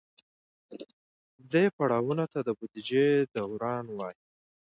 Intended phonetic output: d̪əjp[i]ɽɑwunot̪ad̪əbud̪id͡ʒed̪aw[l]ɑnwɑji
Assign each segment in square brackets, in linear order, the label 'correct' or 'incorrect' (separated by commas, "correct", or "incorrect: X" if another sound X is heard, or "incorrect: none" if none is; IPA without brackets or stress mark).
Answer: incorrect: a, incorrect: ɾ